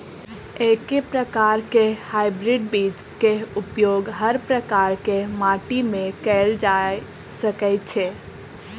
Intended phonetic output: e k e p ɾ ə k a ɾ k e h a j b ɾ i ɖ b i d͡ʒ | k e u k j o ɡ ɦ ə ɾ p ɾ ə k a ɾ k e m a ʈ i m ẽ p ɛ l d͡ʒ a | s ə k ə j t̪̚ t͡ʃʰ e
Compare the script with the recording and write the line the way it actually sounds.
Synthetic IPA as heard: e k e p ɾ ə k a ɾ k e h a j b ɾ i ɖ b i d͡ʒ | k e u p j o ɡ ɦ ə ɾ p ɾ ə k a ɾ k e m a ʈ i m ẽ k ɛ l d͡ʒ a | s ə k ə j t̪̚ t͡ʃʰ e